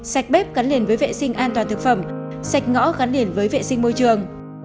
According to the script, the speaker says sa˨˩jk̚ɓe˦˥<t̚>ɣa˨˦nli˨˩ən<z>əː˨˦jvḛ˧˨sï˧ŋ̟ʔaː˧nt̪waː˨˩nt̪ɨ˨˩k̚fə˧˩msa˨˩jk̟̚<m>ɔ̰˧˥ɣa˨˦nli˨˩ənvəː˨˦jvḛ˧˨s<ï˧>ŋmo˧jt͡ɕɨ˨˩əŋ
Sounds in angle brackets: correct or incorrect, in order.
incorrect: p̚, incorrect: v, incorrect: ŋ, correct

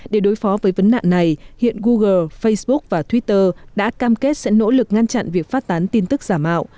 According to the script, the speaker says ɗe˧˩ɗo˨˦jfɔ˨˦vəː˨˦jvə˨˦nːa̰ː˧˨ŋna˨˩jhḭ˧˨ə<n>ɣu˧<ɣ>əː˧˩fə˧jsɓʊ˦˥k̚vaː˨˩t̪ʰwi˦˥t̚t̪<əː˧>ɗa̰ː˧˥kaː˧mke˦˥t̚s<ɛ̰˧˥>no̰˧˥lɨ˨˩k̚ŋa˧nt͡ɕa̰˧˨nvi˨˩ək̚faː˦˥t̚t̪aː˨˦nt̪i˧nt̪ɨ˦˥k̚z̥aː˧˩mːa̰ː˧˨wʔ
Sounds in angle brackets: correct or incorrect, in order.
correct, correct, correct, correct

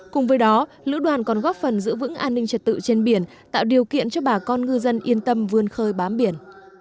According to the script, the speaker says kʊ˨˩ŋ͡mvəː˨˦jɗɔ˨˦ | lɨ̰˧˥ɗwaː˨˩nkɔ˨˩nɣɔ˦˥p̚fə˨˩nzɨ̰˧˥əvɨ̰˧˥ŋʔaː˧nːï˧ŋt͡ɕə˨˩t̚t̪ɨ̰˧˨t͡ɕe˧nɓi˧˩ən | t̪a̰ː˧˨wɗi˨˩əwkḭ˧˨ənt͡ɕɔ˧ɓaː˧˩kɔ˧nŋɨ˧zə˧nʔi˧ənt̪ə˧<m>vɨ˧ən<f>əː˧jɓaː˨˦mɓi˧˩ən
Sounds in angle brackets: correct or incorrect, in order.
correct, incorrect: x

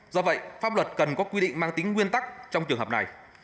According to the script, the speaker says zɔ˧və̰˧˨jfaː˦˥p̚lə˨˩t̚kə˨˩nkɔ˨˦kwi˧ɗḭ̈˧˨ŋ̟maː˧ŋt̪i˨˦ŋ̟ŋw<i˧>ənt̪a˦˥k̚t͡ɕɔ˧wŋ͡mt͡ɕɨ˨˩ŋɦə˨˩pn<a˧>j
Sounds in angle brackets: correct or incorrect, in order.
correct, incorrect: a˨˩

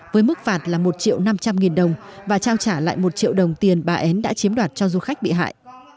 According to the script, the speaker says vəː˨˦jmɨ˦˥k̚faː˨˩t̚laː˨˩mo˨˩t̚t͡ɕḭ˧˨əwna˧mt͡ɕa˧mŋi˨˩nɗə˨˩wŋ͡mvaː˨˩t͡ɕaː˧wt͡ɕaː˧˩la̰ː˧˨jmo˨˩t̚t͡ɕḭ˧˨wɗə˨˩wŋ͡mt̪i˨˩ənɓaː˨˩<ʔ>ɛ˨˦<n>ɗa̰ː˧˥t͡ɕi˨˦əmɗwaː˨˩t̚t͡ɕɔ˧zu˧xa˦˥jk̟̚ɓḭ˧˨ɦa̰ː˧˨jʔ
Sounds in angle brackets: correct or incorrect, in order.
correct, correct

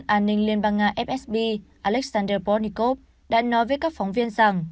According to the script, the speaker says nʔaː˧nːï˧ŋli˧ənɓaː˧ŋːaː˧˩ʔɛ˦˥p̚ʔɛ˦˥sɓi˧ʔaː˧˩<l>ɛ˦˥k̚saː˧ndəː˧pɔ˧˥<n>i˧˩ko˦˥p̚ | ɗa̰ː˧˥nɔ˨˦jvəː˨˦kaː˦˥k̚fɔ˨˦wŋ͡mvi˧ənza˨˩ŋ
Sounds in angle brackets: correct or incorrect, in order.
correct, correct

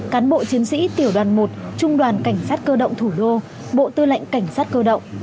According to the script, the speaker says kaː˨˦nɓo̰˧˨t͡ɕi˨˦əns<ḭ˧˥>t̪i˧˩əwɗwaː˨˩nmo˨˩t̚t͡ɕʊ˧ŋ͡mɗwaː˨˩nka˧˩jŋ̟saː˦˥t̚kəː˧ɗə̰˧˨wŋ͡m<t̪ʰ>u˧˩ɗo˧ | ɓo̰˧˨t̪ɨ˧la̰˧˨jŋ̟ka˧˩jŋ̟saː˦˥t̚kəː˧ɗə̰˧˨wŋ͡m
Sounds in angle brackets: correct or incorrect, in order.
correct, correct

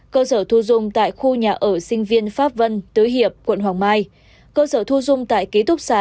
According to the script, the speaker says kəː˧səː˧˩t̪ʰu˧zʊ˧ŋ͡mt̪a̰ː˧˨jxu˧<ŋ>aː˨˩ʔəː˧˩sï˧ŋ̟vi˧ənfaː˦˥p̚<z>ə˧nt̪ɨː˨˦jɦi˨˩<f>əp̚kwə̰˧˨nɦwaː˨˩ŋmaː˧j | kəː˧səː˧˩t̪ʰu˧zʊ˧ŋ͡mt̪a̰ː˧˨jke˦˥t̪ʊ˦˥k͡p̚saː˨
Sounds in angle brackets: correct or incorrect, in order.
incorrect: ɲ, incorrect: v, incorrect: none

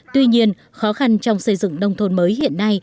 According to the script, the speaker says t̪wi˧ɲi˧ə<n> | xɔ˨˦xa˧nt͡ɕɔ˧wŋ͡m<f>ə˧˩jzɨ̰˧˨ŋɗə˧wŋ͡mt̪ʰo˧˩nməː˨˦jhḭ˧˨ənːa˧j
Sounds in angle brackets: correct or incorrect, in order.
correct, incorrect: s

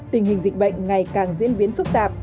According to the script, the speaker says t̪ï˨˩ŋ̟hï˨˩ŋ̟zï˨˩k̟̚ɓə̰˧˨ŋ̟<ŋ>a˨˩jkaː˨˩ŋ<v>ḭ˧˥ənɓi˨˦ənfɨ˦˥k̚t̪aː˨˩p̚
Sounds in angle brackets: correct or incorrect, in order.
correct, incorrect: z

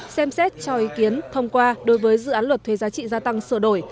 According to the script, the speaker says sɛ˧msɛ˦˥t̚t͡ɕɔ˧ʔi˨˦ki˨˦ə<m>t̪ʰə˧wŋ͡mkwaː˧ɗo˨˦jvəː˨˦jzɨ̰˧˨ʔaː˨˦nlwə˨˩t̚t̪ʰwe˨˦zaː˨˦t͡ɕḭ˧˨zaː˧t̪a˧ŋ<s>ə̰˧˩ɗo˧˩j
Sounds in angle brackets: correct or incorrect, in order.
incorrect: n, correct

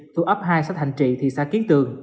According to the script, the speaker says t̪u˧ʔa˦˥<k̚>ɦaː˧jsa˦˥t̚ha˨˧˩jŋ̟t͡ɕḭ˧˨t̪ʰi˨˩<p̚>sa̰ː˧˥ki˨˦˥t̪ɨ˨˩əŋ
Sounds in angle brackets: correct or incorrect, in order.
incorrect: p̚, incorrect: none

